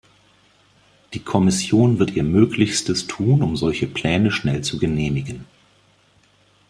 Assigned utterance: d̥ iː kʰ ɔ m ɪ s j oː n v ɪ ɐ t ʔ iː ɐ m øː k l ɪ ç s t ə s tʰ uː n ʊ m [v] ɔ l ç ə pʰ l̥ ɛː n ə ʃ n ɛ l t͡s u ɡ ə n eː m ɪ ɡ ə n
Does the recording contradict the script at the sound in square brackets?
yes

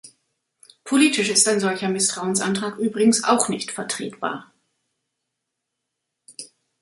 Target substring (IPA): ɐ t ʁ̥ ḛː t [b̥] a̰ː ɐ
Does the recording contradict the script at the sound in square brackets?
no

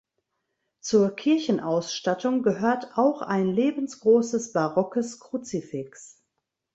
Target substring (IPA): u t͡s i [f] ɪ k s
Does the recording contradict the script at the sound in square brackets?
no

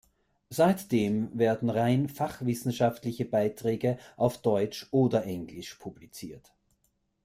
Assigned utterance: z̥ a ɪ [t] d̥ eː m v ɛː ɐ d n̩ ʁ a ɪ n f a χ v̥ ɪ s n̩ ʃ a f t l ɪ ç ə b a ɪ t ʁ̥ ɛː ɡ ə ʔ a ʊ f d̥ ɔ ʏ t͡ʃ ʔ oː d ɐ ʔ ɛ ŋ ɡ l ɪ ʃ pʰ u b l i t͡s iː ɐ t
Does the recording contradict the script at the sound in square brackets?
no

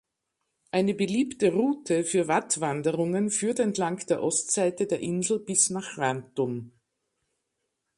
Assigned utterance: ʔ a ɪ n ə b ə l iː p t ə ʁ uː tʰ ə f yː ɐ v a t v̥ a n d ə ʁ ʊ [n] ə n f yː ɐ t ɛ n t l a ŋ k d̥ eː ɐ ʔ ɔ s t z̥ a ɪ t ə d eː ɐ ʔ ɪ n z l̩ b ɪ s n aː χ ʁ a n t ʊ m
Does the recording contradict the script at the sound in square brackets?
yes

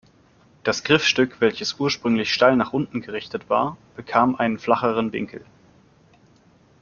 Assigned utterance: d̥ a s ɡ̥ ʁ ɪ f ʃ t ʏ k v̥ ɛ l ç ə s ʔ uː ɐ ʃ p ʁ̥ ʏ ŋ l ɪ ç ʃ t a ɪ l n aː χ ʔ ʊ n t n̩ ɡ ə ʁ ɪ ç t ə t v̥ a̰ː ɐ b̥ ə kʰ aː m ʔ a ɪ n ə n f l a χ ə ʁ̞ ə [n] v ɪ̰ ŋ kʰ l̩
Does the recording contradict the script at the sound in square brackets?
no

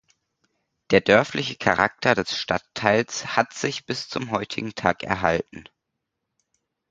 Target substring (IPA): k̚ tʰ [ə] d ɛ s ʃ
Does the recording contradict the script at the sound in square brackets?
yes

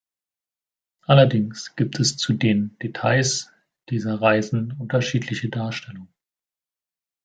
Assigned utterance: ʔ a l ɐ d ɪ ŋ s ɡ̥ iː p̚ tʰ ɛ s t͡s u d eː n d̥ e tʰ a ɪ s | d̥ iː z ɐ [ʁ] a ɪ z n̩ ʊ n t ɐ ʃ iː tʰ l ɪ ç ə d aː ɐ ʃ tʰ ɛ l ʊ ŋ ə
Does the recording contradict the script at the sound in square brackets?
no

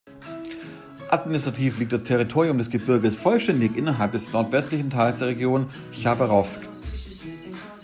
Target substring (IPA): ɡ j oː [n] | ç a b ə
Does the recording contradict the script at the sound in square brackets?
no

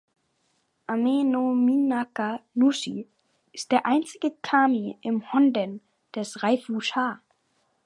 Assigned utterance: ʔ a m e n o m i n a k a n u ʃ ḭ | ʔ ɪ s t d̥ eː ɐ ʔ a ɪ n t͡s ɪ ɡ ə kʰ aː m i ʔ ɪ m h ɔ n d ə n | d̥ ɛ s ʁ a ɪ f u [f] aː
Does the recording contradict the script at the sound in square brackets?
yes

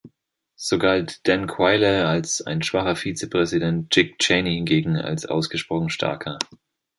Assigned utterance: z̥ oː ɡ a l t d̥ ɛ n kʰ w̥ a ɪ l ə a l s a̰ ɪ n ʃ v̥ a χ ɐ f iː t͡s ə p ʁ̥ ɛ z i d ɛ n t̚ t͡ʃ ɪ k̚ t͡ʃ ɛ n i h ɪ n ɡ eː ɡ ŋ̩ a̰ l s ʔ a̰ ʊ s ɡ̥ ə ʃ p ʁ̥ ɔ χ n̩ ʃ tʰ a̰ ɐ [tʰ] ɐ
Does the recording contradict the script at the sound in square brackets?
yes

